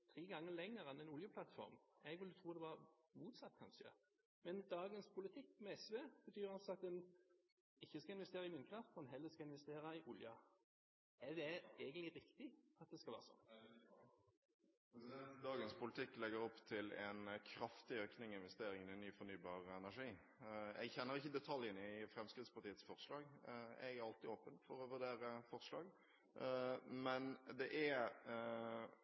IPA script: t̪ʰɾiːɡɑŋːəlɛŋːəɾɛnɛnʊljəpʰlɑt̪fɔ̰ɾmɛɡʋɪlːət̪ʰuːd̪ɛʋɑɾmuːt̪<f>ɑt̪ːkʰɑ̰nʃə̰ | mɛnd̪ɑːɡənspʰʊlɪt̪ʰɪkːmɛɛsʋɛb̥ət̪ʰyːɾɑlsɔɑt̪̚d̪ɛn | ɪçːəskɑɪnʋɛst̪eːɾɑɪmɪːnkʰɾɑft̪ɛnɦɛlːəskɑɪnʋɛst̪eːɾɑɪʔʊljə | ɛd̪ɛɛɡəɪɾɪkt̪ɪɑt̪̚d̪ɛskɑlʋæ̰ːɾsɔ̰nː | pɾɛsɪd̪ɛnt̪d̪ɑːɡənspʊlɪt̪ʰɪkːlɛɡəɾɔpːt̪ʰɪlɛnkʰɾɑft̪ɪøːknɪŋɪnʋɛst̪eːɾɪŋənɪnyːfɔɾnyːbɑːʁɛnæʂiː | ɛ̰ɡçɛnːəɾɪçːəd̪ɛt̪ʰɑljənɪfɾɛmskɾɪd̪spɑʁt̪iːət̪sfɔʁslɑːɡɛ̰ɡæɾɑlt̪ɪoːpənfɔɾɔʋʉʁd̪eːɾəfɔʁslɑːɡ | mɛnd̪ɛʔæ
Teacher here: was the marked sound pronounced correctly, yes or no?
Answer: no